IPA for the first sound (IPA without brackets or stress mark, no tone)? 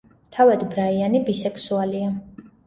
t̪ʰ